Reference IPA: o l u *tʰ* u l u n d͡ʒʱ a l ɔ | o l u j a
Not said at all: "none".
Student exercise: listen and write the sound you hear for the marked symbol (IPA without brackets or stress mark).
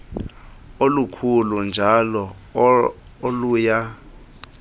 kʰ